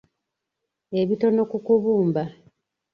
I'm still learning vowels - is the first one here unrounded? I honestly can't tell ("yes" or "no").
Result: yes